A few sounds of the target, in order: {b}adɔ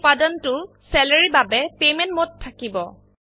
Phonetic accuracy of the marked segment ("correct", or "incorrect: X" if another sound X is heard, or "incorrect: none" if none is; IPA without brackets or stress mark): incorrect: p